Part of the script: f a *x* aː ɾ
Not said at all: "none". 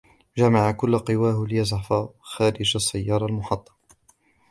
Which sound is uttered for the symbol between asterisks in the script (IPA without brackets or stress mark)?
x